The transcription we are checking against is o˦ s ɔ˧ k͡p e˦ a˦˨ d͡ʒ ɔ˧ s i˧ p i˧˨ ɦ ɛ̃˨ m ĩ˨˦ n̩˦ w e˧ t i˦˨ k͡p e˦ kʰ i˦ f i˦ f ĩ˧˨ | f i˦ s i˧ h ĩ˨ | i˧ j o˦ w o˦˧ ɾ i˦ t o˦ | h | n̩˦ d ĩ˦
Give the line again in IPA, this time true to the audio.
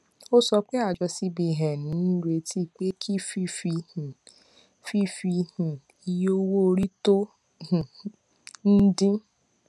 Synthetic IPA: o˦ s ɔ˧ k͡p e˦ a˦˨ d͡ʒ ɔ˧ s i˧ b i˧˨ ɦ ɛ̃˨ n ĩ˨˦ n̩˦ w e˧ t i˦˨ k͡p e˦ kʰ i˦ f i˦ f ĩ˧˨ | f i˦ f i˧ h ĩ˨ | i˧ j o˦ w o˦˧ ɾ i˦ t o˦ | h | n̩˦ d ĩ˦